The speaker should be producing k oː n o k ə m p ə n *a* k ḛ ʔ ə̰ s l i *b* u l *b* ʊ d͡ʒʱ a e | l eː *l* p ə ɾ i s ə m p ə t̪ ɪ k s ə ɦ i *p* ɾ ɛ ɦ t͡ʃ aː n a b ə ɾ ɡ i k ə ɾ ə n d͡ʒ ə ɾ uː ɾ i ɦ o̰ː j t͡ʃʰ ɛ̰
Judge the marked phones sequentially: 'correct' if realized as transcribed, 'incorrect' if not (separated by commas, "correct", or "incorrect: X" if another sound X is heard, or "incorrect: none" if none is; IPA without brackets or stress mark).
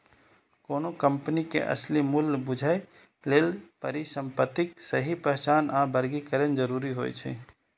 incorrect: i, incorrect: m, correct, correct, correct